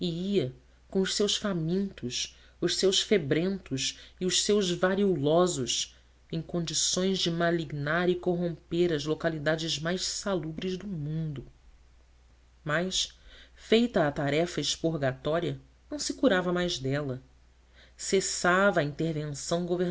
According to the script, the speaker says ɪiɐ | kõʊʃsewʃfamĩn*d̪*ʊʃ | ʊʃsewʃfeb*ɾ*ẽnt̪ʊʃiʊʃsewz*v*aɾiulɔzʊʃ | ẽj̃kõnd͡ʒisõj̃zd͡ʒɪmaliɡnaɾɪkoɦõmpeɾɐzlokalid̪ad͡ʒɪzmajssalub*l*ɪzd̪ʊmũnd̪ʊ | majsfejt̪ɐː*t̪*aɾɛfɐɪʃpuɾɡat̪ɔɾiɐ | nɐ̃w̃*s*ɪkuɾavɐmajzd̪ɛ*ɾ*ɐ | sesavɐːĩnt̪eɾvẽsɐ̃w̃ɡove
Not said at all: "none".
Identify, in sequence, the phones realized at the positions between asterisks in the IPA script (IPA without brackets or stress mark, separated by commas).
t̪, ɾ, v, ɾ, t̪, s, l